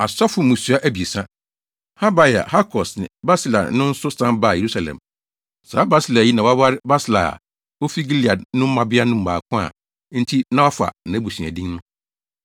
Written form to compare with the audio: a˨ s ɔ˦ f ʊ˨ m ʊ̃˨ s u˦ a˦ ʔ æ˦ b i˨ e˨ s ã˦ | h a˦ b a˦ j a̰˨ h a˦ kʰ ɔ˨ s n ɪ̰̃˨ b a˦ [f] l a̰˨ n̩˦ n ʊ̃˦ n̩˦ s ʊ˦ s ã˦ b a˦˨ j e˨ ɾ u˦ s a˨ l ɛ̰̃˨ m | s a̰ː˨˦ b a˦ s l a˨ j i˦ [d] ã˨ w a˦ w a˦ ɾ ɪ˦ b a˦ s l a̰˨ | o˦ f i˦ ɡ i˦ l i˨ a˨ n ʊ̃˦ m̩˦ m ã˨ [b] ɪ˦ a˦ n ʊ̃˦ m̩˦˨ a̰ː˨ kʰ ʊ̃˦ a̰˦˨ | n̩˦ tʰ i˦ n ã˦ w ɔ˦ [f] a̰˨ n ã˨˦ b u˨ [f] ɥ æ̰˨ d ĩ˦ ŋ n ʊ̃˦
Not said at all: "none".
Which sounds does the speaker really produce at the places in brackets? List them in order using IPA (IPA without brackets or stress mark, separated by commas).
s, n, b, f, s